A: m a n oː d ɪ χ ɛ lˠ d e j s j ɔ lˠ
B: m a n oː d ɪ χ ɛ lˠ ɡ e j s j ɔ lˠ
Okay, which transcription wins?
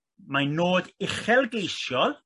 B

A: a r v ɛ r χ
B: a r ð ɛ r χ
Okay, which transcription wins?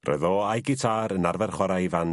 A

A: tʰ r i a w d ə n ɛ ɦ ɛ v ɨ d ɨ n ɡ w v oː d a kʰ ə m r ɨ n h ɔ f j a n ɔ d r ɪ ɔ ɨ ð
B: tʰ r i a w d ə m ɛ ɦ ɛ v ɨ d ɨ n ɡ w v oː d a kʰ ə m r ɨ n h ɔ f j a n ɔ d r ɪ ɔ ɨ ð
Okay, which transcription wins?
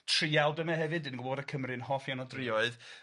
B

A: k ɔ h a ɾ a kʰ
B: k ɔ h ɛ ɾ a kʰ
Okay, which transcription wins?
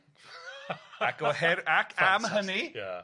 B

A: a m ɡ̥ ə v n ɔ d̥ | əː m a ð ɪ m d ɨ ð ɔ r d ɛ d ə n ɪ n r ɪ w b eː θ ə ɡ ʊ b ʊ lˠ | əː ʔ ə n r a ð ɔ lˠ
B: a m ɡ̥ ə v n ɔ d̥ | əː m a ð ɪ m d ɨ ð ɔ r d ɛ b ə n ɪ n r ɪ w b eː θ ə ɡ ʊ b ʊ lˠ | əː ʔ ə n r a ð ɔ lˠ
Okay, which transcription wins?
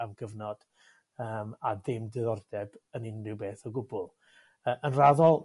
B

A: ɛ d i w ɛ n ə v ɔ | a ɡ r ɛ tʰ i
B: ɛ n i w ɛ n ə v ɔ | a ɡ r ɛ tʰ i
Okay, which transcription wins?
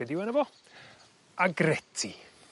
A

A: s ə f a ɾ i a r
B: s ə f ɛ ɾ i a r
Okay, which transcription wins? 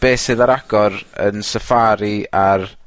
A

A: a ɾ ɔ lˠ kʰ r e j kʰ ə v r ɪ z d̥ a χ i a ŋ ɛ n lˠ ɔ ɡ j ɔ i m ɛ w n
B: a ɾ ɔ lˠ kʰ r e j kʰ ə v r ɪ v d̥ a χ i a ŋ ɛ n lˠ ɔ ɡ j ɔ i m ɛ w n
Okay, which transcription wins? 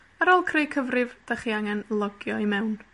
B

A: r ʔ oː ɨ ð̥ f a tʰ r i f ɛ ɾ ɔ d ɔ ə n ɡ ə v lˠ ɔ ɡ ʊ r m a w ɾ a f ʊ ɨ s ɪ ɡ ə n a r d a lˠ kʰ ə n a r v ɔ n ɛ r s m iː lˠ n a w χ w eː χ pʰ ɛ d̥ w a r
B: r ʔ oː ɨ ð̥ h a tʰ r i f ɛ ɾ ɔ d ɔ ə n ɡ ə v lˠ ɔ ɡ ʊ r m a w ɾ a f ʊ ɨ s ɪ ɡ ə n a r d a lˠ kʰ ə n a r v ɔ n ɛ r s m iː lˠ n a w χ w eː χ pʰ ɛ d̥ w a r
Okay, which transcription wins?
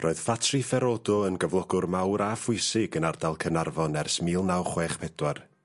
A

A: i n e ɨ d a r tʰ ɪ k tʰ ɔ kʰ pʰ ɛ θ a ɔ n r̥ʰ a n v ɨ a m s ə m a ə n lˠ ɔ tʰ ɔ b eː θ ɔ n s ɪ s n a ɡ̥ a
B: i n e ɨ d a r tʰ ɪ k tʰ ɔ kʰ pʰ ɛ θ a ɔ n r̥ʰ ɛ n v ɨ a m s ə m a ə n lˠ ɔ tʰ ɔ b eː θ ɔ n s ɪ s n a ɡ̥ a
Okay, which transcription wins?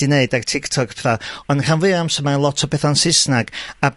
A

